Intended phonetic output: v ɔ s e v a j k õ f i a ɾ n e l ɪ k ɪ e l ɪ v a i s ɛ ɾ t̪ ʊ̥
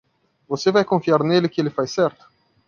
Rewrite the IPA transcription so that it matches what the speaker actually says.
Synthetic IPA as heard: v o s e v a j k õ f i a ɾ n e l ɪ k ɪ e l ɪ f a j s ɛ ɾ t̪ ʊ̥